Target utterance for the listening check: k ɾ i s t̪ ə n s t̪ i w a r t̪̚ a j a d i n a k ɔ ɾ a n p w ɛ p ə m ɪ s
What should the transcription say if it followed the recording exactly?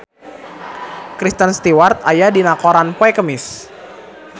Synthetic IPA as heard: k ɾ i s t̪ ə n s t̪ i w a r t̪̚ a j a d i n a k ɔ ɾ a n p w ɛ k ə m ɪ s